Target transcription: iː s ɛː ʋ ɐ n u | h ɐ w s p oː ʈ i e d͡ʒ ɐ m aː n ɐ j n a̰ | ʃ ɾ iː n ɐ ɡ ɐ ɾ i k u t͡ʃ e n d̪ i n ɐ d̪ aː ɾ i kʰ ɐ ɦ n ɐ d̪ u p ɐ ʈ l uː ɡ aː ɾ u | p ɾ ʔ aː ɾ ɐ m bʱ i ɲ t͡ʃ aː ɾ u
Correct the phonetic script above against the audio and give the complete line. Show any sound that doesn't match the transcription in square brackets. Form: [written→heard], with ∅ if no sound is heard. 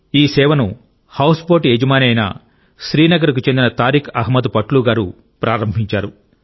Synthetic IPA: iː s ɛː ʋ ɐ n u | h ɐ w s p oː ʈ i e d͡ʒ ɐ m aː n ɐ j n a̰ | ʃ ɾ iː n ɐ ɡ ɐ ɾ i k u t͡ʃ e n d̪ i n ɐ [d̪→t̪] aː ɾ i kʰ ɐ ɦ [n→m] ɐ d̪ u p ɐ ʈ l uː ɡ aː ɾ u | p ɾ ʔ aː ɾ ɐ m bʱ i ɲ t͡ʃ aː ɾ u